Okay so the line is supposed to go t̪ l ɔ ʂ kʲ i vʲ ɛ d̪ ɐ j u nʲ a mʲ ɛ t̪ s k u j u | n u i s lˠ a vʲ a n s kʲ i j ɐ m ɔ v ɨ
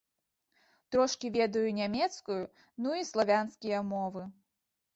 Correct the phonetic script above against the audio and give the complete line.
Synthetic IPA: t̪ ɾ ɔ ʂ kʲ i vʲ ɛ d̪ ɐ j u nʲ a mʲ ɛ t̪ s k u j u | n u i s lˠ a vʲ a n s kʲ i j ɐ m ɔ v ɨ